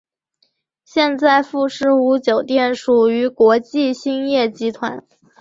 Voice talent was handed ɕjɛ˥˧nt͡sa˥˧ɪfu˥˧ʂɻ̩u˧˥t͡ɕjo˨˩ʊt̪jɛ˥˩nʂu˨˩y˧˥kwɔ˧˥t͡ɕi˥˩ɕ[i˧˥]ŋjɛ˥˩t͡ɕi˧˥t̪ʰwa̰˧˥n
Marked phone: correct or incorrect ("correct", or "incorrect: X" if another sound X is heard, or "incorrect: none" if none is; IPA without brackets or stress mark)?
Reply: incorrect: i˥